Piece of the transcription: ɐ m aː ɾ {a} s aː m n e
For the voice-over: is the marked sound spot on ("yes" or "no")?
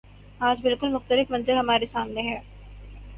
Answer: no